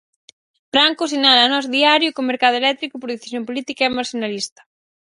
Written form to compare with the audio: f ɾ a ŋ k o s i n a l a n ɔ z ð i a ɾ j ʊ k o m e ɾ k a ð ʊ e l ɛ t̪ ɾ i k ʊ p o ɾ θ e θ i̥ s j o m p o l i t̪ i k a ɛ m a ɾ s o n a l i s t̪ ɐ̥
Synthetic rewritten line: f ɾ a ŋ k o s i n a l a n ɔ z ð i a ɾ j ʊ k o m e ɾ k a ð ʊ e l ɛ t̪ ɾ i k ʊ p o ɾ ð e θ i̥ s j o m p o l i t̪ i k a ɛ m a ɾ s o n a l i s t̪ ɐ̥